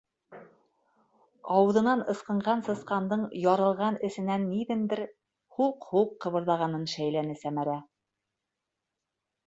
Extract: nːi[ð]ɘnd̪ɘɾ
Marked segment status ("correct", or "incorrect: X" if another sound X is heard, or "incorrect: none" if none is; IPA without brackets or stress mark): correct